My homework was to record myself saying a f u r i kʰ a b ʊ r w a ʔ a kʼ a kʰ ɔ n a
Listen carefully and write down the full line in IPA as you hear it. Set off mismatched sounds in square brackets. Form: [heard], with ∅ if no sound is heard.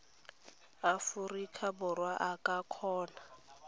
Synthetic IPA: a f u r i kʰ a b ʊ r w a ʔ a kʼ a kʰ [ɔː] n a

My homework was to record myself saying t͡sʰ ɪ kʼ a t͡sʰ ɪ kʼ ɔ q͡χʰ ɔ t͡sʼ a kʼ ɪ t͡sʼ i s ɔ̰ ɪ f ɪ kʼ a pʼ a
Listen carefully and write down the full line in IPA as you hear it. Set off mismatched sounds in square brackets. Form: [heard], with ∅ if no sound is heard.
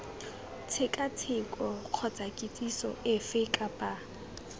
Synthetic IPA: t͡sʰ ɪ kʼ a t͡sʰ ɪ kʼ ɔ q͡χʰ ɔ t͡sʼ a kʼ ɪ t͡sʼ i s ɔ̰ ɪ f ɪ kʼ a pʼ a

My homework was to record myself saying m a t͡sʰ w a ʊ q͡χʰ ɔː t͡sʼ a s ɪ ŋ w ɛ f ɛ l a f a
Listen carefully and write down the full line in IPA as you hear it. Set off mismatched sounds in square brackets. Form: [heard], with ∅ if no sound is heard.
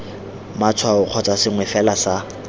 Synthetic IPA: m a t͡sʰ w a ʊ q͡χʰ [ɔ] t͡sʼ a s ɪ ŋ w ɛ f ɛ l a [s] a

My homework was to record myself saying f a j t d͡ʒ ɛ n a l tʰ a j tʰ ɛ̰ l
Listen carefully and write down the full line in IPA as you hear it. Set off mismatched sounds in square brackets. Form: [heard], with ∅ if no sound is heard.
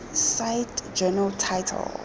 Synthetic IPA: [s] a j t d͡ʒ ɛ n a l tʰ a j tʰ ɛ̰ l

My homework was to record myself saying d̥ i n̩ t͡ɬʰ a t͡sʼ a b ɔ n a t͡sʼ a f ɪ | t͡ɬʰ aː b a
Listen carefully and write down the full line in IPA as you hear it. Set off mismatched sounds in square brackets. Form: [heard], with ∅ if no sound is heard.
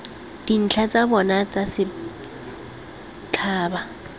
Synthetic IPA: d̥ i n̩ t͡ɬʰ a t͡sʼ a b ɔ n a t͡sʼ a [s] ɪ | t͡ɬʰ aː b a

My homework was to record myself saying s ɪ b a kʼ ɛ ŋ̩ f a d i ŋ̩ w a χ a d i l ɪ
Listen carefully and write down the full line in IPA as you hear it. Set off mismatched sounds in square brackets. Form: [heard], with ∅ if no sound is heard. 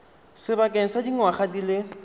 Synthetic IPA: s ɪ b a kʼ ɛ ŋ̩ [s] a d i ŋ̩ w a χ a d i l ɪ

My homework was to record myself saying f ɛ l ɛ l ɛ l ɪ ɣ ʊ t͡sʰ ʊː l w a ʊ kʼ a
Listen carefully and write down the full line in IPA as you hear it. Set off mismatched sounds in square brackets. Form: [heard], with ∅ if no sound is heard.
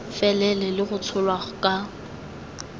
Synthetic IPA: f ɛ l ɛ l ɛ l ɪ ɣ ʊ t͡sʰ [ʊ] l w a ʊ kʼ a

